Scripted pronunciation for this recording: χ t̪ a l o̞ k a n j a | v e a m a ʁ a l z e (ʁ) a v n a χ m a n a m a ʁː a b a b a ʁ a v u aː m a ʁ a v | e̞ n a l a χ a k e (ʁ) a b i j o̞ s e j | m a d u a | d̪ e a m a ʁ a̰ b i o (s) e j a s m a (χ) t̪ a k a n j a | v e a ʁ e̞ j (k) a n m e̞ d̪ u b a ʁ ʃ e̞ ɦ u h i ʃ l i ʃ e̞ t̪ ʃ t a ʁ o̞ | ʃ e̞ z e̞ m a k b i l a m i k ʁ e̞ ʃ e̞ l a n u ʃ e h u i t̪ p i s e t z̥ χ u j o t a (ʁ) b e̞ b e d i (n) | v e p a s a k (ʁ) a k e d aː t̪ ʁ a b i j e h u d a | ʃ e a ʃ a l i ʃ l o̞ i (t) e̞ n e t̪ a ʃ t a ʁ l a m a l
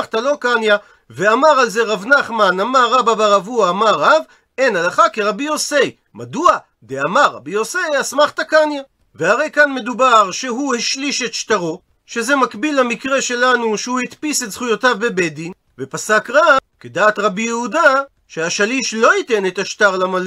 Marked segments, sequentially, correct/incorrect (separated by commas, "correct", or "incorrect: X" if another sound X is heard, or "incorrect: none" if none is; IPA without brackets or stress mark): correct, correct, correct, correct, correct, incorrect: v, correct, correct, correct